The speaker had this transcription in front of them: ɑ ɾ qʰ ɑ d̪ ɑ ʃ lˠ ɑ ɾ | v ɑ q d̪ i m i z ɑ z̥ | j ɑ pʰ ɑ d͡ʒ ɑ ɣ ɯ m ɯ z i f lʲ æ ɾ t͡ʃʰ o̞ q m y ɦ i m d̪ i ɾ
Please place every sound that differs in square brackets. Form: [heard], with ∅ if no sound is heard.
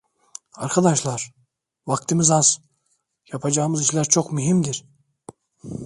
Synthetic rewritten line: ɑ ɾ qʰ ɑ d̪ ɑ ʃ lˠ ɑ ɾ | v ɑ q [t̪] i m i z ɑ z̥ | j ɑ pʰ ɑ d͡ʒ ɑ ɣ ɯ m ɯ z i [ʃ] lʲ æ ɾ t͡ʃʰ o̞ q m y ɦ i m d̪ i ɾ